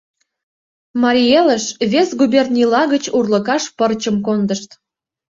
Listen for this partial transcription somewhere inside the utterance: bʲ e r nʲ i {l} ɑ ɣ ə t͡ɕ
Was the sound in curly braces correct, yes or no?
yes